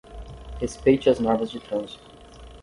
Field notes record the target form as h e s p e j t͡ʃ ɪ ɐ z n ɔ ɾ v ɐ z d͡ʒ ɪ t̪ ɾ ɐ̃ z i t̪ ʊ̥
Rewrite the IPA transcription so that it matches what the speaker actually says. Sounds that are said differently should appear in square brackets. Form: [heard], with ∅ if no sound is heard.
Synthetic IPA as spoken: h e s p e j t͡ʃ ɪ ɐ z n ɔ ɾ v ɐ z d͡ʒ ɪ t̪ ɾ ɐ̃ z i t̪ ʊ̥